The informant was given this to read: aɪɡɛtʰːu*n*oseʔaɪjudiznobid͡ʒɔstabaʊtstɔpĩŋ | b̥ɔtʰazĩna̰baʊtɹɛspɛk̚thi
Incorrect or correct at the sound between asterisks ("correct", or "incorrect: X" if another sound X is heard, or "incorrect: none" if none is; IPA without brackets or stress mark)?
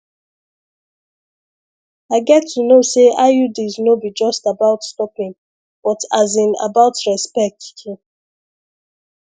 correct